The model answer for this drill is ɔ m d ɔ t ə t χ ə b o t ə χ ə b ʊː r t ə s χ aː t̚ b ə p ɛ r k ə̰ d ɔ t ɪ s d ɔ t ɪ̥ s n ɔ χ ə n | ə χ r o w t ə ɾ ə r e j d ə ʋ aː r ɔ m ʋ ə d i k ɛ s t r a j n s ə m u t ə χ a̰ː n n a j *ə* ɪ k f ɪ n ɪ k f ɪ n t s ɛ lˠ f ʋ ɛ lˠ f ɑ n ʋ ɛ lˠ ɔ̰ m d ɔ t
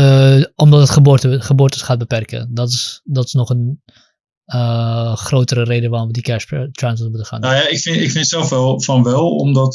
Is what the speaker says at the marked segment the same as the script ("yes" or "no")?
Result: no